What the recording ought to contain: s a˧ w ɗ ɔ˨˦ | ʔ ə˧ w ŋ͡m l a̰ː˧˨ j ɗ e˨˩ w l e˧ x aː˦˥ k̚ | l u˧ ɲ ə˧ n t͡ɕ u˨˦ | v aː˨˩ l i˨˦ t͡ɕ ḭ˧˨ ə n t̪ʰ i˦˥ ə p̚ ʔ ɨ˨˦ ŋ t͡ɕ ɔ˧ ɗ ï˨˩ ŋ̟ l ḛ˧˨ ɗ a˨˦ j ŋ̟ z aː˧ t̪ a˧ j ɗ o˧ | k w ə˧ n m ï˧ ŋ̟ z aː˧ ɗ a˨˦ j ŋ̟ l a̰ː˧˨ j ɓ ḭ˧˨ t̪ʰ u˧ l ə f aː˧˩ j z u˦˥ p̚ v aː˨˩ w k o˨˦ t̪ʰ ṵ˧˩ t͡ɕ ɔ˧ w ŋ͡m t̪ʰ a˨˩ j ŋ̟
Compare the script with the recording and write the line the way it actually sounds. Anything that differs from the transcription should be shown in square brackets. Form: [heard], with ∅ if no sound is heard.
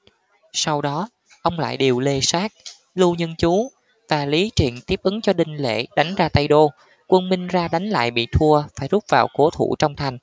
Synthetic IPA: s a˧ w ɗ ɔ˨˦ | ʔ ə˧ w ŋ͡m l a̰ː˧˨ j ɗ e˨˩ w l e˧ [s] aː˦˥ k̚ | l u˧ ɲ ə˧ n t͡ɕ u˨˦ | v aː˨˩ l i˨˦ t͡ɕ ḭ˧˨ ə n [t̪] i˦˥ ə p̚ ʔ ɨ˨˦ ŋ t͡ɕ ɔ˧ ɗ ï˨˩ ŋ̟ l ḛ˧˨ ɗ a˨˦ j ŋ̟ z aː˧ t̪ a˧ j ɗ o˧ | k w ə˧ n m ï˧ ŋ̟ z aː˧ ɗ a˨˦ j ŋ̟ l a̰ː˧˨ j ɓ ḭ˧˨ t̪ʰ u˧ [∅] ə f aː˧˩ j z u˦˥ p̚ v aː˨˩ w k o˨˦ t̪ʰ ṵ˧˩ t͡ɕ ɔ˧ w ŋ͡m t̪ʰ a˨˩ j ŋ̟